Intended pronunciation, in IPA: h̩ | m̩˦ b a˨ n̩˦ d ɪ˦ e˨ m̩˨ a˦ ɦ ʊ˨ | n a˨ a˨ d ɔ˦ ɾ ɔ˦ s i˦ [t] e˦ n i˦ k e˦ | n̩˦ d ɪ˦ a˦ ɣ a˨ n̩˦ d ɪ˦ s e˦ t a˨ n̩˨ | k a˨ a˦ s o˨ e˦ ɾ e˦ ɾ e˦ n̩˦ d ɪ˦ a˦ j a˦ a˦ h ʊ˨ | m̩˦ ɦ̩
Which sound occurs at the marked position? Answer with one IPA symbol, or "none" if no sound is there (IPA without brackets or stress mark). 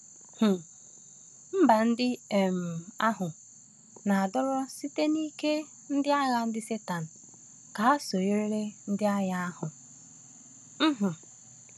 t